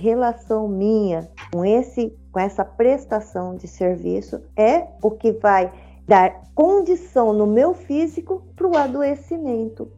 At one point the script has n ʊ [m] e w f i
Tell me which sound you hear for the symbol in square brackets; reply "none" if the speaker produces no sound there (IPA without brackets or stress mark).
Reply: m